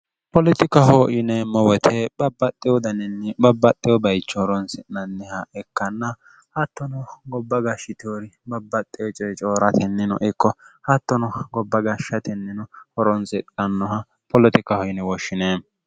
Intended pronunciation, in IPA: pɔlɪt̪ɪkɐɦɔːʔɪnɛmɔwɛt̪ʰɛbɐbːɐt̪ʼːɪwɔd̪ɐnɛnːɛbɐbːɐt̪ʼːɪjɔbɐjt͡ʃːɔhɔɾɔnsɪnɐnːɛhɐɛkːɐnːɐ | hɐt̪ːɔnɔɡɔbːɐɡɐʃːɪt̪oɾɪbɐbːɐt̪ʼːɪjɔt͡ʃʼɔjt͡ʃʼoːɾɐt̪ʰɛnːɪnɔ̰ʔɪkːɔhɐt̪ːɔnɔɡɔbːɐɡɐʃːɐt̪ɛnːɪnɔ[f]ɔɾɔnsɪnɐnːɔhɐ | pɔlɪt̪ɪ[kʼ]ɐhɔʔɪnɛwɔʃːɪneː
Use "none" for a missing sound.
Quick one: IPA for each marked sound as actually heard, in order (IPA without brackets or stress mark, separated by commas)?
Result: h, k